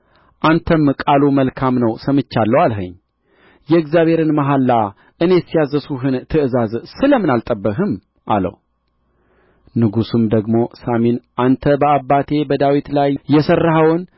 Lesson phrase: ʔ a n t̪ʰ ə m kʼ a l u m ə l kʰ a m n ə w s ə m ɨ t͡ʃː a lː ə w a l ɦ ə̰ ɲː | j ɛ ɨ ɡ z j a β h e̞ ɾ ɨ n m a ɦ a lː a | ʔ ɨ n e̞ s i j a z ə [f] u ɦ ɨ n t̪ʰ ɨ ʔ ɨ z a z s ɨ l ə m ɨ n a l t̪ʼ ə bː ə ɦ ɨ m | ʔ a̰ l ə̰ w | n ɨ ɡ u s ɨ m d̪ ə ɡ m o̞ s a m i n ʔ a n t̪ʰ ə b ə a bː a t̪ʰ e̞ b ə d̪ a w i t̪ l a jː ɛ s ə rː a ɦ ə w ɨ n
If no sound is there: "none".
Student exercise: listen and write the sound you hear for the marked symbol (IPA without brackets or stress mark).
s